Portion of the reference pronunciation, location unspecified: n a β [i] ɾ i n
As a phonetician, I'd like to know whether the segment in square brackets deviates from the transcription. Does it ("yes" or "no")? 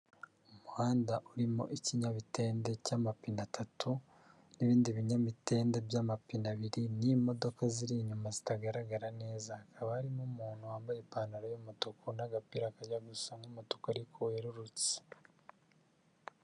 no